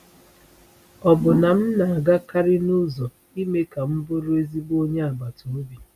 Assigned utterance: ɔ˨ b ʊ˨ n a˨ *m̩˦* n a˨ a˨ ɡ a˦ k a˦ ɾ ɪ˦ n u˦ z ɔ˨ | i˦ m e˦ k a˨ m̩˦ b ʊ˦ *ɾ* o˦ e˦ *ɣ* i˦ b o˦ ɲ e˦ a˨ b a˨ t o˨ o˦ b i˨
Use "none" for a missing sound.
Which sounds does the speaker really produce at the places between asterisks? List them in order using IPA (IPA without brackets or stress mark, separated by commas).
m̩˦, ɾ, z